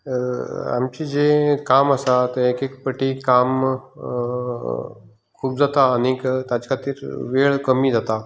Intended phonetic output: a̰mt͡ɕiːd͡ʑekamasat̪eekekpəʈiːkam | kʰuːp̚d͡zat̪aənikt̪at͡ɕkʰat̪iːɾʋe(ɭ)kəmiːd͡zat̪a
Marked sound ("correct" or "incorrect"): correct